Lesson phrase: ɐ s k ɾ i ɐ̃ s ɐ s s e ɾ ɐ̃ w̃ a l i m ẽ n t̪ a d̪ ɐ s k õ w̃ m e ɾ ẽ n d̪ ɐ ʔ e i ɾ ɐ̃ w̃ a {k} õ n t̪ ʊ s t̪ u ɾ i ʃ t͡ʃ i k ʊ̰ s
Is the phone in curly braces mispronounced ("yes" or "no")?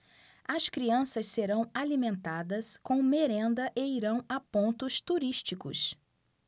yes